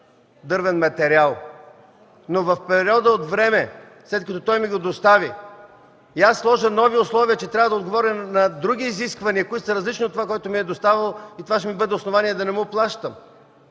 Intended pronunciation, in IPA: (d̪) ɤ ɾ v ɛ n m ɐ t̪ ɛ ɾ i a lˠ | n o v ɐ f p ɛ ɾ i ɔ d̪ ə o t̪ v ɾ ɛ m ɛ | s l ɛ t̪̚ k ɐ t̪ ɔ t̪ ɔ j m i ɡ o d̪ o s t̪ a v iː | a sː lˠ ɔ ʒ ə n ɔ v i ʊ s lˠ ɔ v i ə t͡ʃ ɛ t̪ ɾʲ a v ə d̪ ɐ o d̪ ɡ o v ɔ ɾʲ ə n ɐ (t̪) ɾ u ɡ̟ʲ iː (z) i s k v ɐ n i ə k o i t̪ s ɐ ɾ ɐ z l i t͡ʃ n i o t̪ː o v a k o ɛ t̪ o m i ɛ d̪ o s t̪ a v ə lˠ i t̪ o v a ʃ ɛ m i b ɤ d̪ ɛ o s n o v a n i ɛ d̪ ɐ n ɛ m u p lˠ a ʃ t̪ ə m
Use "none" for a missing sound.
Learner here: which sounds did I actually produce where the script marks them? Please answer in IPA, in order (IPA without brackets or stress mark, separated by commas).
d̪, d̪, z